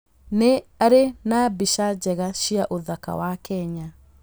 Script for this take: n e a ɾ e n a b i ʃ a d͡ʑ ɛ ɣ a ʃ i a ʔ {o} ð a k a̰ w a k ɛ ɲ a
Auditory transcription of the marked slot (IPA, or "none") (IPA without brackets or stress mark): o